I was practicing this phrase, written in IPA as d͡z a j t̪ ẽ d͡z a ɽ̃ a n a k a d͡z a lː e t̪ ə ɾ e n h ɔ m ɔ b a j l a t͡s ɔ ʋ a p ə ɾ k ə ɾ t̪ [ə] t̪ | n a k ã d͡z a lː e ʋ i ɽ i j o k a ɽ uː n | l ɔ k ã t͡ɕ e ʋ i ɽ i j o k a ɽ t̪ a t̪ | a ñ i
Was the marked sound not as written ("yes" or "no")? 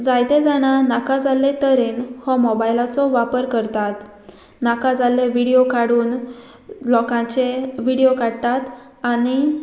yes